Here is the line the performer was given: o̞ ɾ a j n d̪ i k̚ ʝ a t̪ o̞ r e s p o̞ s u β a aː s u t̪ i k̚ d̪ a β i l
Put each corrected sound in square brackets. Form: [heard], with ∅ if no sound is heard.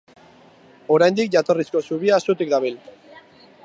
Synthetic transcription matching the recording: o̞ ɾ a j n d̪ i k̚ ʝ a t̪ o̞ r [i] s [k] o̞ s u β [i] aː s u t̪ i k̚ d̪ a β i l